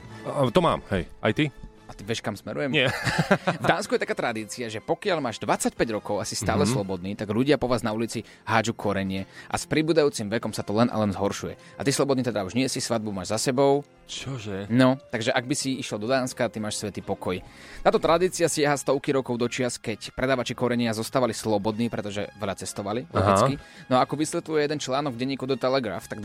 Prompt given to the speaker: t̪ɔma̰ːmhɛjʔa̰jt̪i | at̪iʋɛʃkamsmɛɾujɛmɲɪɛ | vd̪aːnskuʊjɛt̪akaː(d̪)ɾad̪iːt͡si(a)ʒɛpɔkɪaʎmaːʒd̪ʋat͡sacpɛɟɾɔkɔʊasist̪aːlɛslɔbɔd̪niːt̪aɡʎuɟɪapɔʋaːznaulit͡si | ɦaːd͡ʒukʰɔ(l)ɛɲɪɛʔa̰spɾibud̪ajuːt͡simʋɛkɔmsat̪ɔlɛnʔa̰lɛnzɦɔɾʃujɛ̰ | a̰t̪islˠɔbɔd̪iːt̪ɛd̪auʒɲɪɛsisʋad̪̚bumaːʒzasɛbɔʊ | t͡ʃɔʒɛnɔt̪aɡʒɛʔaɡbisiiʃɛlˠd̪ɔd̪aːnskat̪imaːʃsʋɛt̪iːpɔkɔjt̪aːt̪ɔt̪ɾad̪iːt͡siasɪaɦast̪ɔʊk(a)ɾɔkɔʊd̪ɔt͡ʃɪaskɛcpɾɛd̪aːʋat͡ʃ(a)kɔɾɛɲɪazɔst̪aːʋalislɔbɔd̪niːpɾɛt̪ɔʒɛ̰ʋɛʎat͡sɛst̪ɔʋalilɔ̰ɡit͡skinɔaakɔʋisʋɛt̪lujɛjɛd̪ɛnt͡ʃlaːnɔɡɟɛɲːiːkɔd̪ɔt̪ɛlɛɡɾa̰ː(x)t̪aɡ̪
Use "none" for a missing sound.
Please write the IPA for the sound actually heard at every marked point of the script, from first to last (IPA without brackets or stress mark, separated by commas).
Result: t̪, a, ɾ, i, i, f